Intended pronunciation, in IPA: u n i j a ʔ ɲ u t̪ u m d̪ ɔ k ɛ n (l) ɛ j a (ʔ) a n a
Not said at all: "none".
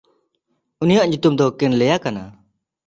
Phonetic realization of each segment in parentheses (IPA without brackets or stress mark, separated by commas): l, k